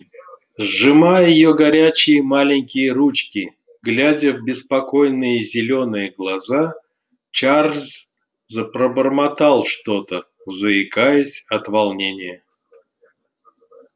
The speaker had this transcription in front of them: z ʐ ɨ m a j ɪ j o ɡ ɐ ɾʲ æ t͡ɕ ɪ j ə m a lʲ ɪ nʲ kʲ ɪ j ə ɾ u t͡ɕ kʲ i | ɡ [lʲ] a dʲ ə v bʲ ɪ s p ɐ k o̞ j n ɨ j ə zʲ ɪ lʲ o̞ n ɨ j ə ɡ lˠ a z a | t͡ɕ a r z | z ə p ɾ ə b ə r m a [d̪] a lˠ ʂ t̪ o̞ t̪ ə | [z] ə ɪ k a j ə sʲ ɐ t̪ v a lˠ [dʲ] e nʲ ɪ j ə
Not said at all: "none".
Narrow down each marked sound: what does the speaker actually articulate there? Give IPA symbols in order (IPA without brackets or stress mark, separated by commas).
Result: lʲ, t̪, z, nʲ